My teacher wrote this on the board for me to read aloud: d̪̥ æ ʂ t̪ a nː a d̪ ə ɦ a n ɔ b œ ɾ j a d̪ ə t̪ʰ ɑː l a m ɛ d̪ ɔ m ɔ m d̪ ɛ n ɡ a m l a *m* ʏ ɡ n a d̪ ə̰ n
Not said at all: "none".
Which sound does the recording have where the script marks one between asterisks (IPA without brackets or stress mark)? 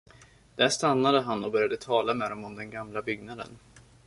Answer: b